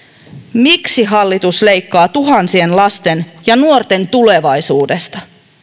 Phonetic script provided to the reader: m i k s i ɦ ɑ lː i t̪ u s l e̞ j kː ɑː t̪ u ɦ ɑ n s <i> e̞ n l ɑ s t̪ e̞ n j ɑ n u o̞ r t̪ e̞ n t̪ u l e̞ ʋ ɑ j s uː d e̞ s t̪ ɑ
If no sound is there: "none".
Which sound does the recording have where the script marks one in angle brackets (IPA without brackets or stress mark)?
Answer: i